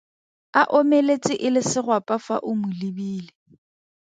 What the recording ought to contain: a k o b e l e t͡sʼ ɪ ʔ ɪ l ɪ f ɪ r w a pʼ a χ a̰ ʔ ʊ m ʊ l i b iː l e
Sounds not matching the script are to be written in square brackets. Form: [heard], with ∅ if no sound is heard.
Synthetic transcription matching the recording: a [ʔ] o [m] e l e t͡sʼ ɪ ʔ ɪ l ɪ [s] ɪ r w a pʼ a [f] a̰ ʔ ʊ m ʊ l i b iː l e

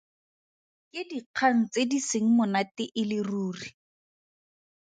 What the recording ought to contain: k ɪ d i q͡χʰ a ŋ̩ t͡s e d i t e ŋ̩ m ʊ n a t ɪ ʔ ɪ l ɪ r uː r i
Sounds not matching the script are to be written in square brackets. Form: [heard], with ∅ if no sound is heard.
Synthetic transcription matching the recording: k ɪ d i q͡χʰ a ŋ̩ t͡s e d i [s] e ŋ̩ m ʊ n a t ɪ ʔ ɪ l ɪ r uː r i

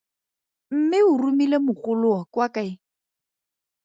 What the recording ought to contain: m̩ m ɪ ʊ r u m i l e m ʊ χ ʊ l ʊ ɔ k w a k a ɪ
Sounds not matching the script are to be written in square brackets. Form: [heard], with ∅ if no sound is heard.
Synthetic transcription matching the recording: m̩ m ɪ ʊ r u m i l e m ʊ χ ʊ l ʊ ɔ k w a k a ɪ

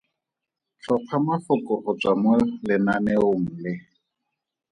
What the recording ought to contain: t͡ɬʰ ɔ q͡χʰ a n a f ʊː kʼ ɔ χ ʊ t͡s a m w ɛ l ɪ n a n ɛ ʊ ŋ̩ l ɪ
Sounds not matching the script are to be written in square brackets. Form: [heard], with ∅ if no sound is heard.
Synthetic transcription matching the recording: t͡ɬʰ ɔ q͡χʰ a [m] a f [ʊ] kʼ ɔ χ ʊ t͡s a m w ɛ l ɪ n a n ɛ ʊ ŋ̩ l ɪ

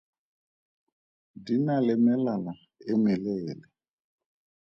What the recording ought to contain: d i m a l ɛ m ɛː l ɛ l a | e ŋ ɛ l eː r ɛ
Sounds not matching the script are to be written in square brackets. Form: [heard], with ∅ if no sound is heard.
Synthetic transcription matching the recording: d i [n] a l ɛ m [ɛ] l [a] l a | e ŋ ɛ l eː [l] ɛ

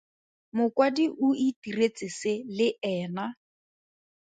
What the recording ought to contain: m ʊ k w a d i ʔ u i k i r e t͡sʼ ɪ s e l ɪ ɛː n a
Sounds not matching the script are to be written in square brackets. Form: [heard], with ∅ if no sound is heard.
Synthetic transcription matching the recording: m ʊ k w a d i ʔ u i [t] i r e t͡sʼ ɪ s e l ɪ ɛː n a

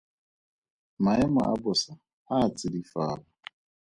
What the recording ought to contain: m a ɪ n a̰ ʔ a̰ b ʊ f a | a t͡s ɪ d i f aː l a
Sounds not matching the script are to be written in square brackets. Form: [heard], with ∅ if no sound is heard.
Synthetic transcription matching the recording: m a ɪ [m] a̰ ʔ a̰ b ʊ [s] a | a t͡s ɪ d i f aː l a

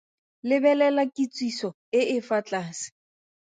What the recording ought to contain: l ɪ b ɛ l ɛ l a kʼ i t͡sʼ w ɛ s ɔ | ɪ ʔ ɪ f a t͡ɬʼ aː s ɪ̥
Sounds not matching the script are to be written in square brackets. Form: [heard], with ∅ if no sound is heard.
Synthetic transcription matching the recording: l ɪ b ɛ l ɛ l a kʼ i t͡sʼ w [i] s ɔ | ɪ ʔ ɪ f a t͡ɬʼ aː s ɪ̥

